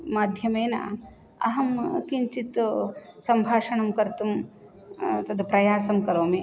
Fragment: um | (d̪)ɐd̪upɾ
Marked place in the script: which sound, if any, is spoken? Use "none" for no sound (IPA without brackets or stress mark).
t̪